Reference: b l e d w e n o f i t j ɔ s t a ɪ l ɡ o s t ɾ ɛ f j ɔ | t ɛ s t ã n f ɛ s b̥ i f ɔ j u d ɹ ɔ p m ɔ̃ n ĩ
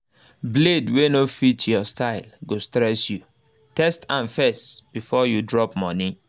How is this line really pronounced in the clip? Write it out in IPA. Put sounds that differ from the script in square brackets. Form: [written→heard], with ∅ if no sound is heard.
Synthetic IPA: b l e d w e n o f i t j ɔ s t a ɪ l ɡ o s t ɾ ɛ [f→s] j [ɔ→u] | t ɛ s t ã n f ɛ s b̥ i f ɔ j u d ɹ ɔ p m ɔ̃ n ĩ